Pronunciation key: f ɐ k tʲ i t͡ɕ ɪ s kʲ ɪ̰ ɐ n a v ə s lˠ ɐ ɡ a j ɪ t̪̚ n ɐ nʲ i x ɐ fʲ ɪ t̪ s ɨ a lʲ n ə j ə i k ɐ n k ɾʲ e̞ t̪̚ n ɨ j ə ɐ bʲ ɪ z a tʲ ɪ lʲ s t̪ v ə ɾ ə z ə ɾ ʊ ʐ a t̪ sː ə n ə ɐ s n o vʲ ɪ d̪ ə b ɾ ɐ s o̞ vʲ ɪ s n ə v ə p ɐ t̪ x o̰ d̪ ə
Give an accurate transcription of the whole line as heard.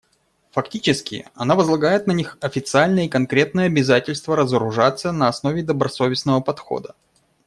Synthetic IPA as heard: f ɐ k tʲ i t͡ɕ ɪ s kʲ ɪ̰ ɐ n a v ə z lˠ ɐ ɡ a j ɪ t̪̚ n ɐ nʲ i x ɐ fʲ ɪ t̪ s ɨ a lʲ n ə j ə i k ɐ n k ɾʲ e̞ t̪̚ n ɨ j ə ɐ bʲ ɪ z a tʲ ɪ lʲ s t̪ v ə ɾ ə z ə ɾ ʊ ʐ a t̪ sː ə n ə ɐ s n o vʲ ɪ d̪ ə b ɾ ɐ s o̞ vʲ ɪ s n ə v ə p ɐ t̪ x o̰ d̪ ə